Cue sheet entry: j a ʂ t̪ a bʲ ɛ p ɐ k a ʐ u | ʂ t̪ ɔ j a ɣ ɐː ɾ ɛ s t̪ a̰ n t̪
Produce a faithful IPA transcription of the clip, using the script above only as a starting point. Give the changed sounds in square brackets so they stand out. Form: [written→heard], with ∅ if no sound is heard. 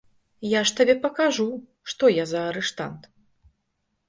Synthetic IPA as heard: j a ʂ t̪ a bʲ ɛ p ɐ k a ʐ u | ʂ t̪ ɔ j a [ɣ→z] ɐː ɾ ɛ [s→ʂ] t̪ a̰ n t̪